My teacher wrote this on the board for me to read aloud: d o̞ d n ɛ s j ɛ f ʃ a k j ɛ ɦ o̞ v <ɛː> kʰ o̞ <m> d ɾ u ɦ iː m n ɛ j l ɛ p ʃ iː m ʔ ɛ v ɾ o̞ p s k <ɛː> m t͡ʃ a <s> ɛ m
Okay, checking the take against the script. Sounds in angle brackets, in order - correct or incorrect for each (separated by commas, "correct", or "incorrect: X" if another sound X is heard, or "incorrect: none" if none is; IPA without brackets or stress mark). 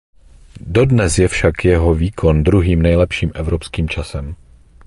incorrect: iː, incorrect: n, incorrect: iː, correct